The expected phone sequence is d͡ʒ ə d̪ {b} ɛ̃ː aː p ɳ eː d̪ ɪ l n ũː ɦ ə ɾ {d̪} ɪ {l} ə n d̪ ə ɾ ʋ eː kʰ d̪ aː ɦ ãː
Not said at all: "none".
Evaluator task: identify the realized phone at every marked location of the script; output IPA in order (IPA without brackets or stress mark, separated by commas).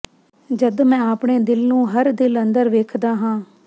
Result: m, d̪, l